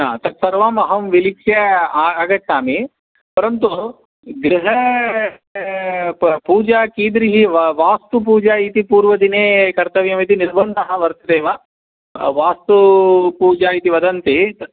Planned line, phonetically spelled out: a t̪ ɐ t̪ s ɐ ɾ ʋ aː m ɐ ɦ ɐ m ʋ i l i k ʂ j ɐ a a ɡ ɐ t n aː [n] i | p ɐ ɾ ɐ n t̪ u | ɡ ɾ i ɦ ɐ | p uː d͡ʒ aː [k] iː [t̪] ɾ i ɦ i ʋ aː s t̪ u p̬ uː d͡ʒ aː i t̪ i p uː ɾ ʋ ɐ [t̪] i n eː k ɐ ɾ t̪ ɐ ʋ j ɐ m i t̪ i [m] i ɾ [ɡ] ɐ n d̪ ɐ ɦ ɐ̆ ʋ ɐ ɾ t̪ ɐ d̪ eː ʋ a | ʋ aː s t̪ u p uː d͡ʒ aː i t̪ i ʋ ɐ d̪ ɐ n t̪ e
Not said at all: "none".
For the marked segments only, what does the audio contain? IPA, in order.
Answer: m, k, d̪, d̪, n, b

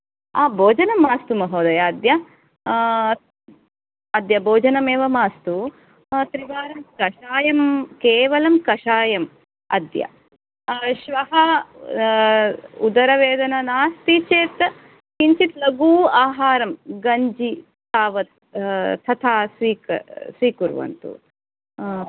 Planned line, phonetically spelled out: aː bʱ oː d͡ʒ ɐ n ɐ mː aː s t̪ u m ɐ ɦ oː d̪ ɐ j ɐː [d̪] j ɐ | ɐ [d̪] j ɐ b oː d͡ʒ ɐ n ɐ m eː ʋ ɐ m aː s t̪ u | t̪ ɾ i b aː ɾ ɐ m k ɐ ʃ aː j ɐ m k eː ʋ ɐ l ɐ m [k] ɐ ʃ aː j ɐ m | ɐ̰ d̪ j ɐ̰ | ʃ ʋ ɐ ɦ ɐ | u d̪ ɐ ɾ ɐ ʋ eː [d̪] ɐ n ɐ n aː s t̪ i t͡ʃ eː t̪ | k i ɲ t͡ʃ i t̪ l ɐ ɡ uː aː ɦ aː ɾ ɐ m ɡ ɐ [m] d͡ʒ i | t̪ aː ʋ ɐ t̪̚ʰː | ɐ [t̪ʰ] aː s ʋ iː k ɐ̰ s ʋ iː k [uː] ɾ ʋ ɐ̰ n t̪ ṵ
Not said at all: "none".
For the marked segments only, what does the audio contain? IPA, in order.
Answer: d̪, d̪, k, d̪, ɲ, t̪ʰ, u

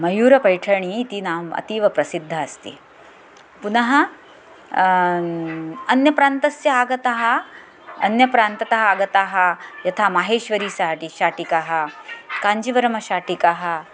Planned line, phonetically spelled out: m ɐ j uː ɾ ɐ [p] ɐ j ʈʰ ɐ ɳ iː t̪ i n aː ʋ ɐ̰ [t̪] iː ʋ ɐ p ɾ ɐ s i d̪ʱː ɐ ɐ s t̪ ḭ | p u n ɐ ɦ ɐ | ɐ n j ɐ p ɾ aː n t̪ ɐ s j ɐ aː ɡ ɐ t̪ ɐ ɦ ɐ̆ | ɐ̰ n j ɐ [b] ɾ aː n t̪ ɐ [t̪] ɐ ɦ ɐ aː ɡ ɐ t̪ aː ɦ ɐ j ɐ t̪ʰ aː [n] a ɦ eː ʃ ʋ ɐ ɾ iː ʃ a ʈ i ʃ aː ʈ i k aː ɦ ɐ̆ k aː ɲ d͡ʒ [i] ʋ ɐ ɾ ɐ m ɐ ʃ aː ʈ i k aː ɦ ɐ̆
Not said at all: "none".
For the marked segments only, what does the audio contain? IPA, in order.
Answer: p, t̪, p, t̪, m, i

